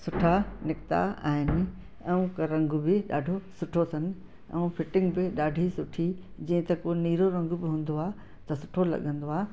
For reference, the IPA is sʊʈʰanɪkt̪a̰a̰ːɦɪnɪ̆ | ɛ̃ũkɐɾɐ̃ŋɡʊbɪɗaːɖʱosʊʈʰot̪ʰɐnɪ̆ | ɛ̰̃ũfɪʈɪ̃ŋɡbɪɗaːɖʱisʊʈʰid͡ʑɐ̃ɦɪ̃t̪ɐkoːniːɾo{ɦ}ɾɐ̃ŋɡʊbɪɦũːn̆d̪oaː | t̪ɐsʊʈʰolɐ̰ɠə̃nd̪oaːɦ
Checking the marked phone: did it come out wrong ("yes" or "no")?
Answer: yes